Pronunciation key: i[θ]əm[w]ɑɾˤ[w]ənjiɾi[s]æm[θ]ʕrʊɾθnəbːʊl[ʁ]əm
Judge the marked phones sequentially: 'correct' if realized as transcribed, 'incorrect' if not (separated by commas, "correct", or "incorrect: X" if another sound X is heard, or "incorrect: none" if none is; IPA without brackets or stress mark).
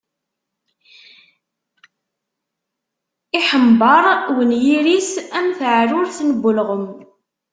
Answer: incorrect: ħ, incorrect: b, correct, correct, correct, correct